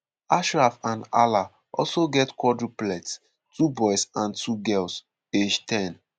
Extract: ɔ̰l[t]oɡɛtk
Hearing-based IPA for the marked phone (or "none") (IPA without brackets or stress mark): s